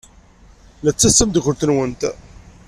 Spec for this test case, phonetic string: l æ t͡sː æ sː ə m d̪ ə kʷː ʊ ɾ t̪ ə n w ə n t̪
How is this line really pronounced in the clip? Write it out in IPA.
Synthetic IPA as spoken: l æ t͡sː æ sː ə m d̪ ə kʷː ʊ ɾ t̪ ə n w ə n t̪